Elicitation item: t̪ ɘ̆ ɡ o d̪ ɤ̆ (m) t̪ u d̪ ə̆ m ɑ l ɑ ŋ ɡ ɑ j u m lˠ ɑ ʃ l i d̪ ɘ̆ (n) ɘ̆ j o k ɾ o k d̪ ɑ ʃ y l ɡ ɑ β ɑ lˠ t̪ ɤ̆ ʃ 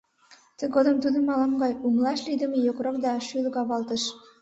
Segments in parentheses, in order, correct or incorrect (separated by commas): correct, incorrect